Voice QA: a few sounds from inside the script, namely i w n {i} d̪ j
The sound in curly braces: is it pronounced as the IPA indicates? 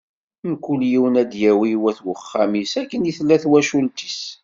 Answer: no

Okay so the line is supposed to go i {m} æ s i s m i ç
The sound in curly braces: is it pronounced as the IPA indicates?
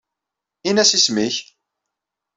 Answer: no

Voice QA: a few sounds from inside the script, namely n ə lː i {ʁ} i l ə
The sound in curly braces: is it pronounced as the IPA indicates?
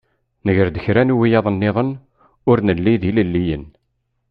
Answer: no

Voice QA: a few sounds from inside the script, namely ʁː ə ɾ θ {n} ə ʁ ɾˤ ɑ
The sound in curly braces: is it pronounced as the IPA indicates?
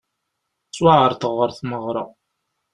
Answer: no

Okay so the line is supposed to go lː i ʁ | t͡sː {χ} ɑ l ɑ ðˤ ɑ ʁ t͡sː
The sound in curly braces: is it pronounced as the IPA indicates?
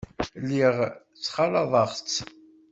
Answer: yes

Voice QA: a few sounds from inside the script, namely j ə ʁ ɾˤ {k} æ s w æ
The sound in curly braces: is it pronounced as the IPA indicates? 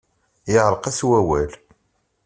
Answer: no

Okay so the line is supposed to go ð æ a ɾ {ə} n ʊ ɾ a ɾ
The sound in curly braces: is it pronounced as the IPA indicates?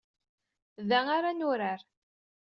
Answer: no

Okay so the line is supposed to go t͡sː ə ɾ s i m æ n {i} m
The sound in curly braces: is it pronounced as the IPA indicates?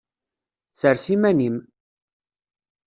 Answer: yes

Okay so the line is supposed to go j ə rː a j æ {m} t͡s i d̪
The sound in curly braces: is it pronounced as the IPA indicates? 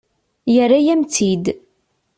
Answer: yes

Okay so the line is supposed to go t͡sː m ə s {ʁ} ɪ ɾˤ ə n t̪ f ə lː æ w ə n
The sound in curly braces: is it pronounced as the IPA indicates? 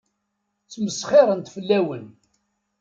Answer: no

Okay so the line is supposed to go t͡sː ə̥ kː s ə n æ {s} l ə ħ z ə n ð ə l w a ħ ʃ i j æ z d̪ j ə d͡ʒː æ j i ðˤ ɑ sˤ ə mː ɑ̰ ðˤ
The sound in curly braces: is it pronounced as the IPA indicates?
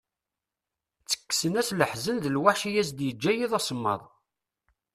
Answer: yes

